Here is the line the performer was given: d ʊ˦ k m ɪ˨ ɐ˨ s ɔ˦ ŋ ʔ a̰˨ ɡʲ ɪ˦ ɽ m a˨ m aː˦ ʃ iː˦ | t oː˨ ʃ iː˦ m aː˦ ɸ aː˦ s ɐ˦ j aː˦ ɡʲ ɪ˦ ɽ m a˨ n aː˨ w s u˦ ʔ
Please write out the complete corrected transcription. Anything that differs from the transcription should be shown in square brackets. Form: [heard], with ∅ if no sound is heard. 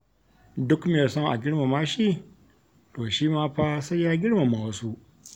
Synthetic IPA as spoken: d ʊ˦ k m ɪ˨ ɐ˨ s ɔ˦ ŋ ʔ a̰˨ ɡʲ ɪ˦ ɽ m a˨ m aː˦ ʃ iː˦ | t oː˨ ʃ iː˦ m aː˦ ɸ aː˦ s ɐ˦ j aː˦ ɡʲ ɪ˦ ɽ m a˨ [m] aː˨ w s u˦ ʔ